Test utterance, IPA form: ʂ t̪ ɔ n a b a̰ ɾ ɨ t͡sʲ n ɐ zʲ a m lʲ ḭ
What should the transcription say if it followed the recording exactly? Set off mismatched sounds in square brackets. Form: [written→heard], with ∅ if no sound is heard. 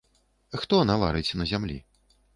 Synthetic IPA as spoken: [ʂ→x] t̪ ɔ n a [b→v] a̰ ɾ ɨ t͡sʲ n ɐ zʲ a m lʲ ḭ